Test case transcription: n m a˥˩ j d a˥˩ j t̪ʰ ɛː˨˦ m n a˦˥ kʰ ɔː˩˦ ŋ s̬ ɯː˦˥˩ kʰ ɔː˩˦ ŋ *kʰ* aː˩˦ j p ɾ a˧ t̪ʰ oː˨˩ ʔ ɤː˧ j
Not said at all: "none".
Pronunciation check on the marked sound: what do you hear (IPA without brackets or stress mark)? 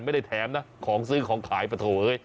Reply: kʰ